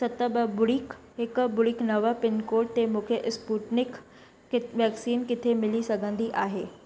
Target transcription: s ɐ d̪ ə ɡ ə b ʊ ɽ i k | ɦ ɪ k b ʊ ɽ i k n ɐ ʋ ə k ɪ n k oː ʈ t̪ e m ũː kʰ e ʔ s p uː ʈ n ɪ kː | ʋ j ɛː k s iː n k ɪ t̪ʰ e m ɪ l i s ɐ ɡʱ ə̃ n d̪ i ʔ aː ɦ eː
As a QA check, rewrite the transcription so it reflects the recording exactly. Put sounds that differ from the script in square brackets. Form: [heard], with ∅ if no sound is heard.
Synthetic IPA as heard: s ɐ [t̪] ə [b] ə b ʊ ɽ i k | ɦ ɪ k b ʊ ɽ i k n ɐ ʋ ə [p] ɪ n k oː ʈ t̪ e m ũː kʰ e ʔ s p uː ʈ n ɪ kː | ʋ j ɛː k s iː n k ɪ t̪ʰ e m ɪ l i s ɐ ɡʱ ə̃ n d̪ i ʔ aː ɦ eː